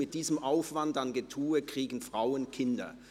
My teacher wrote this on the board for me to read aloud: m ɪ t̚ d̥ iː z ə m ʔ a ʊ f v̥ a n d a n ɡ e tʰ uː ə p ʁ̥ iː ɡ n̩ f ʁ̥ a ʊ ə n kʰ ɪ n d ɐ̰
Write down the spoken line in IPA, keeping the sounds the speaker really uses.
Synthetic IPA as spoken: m ɪ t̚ d̥ iː z ə m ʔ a ʊ f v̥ a n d a n ɡ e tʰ uː ə k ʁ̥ iː ɡ n̩ f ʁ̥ a ʊ ə n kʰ ɪ n d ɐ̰